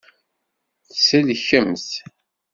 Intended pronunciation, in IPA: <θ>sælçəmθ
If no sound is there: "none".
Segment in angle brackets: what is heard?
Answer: θ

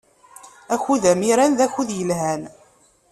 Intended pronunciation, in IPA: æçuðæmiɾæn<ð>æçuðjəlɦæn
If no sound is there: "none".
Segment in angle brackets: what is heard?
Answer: ð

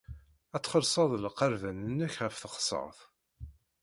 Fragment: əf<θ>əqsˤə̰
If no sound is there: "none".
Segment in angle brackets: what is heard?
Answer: θ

